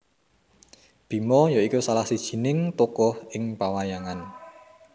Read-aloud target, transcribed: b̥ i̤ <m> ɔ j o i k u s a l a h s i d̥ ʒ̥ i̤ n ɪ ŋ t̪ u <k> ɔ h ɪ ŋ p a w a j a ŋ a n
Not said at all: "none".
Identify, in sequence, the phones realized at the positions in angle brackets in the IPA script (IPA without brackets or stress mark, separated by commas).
m, k